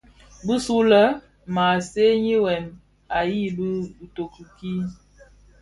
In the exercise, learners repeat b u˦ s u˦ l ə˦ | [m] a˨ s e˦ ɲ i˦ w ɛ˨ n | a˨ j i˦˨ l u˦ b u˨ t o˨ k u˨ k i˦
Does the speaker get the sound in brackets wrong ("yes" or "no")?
no